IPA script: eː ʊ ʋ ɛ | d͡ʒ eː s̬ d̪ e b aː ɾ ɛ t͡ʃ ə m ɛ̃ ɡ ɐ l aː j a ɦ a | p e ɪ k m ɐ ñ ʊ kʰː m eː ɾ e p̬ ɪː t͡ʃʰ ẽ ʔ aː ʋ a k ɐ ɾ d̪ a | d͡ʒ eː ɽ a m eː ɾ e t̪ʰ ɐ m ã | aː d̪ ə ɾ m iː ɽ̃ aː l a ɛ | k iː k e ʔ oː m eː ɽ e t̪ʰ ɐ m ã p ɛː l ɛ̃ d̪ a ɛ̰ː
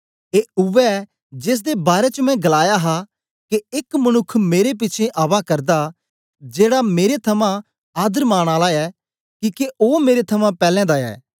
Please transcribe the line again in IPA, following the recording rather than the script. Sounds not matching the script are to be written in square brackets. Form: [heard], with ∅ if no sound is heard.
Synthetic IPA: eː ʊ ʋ ɛ | d͡ʒ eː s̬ d̪ e b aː ɾ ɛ t͡ʃ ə m ɛ̃ ɡ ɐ l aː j a ɦ a | [k] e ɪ k m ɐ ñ ʊ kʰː m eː ɾ e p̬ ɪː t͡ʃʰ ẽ ʔ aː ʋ a k ɐ ɾ d̪ a | d͡ʒ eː ɽ a m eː ɾ e t̪ʰ ɐ m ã | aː d̪ ə ɾ m [aː] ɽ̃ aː l a ɛ | k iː k e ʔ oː m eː [ɾ] e t̪ʰ ɐ m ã p ɛː l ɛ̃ d̪ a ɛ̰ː